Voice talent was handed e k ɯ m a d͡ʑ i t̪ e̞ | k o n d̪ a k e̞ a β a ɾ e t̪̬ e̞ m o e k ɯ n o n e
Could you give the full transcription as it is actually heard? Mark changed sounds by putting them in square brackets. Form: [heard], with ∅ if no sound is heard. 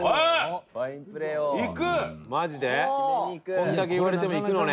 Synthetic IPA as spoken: [i] k ɯ m a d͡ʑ i [d̪] e̞ | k o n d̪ a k e̞ [i] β a ɾ e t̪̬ e̞ m o [i] k ɯ n o n e